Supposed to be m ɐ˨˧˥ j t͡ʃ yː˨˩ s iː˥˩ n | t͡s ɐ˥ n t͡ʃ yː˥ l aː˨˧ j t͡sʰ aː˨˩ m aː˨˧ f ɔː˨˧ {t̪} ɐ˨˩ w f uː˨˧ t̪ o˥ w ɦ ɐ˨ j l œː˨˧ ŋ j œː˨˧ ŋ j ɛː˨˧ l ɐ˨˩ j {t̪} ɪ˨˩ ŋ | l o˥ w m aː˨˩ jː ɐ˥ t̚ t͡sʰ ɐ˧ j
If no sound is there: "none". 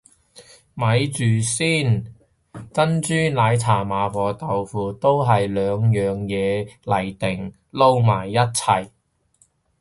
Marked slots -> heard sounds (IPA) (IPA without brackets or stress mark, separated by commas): t̪, t̪